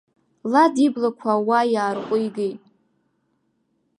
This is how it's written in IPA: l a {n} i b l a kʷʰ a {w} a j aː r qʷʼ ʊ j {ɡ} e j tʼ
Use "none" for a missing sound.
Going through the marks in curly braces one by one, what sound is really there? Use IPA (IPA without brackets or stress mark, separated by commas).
d, w, ɡ